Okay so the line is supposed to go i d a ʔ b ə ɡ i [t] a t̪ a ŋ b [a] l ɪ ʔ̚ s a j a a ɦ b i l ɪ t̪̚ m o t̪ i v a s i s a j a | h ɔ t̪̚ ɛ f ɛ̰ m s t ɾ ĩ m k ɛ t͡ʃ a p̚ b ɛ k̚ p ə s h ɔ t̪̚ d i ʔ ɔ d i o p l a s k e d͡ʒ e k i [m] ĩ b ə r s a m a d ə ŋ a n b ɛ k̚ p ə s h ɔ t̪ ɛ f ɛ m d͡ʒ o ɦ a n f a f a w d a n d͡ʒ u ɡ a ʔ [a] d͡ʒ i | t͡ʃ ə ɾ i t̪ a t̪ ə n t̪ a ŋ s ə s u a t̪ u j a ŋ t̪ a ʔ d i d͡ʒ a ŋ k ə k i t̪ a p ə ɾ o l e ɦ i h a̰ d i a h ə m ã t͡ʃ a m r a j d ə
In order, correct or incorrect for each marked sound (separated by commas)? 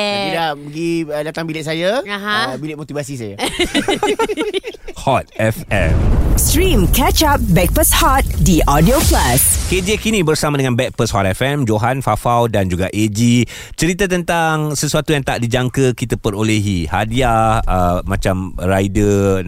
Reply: incorrect, incorrect, incorrect, incorrect